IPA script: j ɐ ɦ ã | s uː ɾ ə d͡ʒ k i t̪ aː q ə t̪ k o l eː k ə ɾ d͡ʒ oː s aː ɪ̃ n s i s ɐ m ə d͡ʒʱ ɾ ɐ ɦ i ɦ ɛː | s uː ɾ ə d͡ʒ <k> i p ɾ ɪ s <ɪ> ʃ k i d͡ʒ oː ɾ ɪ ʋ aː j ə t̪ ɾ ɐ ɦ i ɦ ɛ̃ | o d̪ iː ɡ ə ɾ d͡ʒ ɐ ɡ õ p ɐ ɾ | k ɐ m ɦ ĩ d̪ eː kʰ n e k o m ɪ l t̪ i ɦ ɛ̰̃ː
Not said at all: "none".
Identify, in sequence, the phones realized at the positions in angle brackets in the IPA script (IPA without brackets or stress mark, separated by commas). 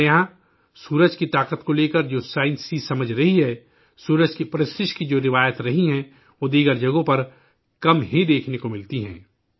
k, ɪ